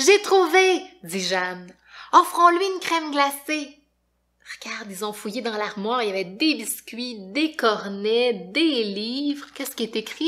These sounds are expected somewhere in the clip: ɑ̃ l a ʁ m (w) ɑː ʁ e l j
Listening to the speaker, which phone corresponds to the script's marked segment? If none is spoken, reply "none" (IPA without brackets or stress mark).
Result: w